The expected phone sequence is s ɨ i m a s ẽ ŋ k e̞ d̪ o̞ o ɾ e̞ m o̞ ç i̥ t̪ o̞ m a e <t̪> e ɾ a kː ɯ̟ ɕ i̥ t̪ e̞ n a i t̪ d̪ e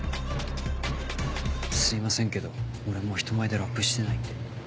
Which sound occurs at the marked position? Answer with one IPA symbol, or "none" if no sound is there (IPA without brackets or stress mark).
d̪